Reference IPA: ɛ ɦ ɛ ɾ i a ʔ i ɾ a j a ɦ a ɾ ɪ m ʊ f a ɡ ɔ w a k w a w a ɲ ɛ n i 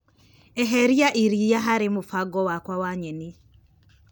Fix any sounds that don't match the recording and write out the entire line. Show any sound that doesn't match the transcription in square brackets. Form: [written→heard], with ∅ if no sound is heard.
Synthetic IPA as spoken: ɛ ɦ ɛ ɾ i a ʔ i ɾ [a→i] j a ɦ a ɾ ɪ m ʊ f a ɡ ɔ w a k w a w a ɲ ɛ n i